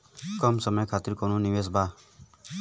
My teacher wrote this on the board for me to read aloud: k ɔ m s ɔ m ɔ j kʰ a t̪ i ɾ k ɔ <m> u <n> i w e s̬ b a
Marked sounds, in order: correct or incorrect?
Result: incorrect: n, correct

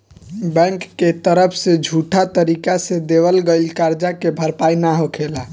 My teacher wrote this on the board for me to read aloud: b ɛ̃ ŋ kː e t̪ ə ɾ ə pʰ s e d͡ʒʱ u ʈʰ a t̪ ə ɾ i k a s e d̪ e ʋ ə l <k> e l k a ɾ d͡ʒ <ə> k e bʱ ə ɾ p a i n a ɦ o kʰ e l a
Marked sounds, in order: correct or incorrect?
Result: incorrect: ɡ, incorrect: a

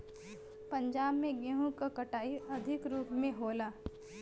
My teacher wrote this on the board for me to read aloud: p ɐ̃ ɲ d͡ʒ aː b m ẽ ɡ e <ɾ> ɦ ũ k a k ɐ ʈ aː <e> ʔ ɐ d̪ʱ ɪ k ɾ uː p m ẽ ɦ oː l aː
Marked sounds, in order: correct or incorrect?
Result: incorrect: none, incorrect: i

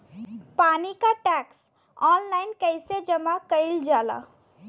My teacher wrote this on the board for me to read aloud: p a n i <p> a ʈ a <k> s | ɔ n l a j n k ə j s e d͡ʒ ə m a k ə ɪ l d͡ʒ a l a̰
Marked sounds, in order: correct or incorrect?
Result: incorrect: k, correct

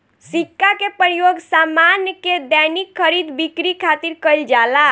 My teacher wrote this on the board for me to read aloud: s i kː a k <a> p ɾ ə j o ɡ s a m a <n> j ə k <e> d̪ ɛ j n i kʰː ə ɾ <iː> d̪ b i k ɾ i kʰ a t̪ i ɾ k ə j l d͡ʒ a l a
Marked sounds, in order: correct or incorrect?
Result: incorrect: e, correct, correct, incorrect: i

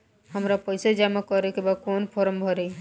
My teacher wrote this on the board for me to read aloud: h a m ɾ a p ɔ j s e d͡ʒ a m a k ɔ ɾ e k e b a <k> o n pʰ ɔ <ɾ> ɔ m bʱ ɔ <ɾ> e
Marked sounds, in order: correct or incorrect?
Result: correct, correct, correct

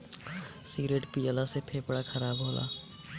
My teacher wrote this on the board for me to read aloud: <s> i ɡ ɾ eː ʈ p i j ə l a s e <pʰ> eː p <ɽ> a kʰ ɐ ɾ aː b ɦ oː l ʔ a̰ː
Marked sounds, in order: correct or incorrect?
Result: correct, correct, correct

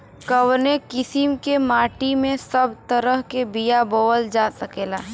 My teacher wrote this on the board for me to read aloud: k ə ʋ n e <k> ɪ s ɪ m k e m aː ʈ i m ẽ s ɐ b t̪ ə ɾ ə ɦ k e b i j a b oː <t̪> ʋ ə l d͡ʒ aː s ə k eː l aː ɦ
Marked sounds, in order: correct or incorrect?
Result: correct, incorrect: none

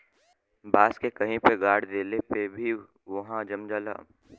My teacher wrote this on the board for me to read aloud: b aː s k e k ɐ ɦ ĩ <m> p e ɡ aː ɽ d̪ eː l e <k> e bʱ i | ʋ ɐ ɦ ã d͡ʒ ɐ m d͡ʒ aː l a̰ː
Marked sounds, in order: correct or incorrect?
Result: incorrect: none, incorrect: p

